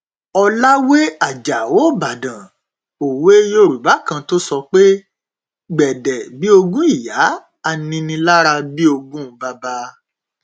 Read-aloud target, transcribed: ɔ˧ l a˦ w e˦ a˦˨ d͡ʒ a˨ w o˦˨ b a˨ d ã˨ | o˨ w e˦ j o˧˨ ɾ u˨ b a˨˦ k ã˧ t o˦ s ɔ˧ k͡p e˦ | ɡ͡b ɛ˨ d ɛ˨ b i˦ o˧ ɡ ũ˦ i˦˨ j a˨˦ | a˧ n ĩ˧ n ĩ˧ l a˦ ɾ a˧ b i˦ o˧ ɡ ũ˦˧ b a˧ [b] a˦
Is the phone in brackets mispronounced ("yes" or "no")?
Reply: no